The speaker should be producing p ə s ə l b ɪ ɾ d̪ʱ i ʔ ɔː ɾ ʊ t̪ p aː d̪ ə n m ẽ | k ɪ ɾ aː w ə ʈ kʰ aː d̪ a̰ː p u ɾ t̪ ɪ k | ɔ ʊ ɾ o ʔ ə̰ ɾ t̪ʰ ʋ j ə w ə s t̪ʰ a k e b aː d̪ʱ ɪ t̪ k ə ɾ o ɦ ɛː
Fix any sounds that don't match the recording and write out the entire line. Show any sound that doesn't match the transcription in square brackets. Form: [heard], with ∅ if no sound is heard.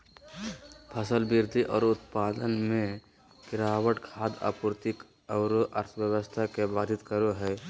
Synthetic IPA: [pʰ] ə s ə l b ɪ ɾ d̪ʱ i ʔ ɔː ɾ ʊ t̪ p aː d̪ ə n m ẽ | k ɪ ɾ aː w ə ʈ kʰ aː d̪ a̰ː p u ɾ t̪ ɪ k | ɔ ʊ ɾ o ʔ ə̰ ɾ t̪ʰ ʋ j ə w ə s t̪ʰ a k e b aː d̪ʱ ɪ t̪ k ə ɾ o ɦ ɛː